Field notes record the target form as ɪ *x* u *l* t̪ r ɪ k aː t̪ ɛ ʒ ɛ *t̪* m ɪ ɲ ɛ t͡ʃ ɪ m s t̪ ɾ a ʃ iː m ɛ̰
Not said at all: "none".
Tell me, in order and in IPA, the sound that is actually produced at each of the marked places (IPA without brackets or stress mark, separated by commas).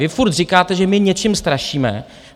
f, ɾ, none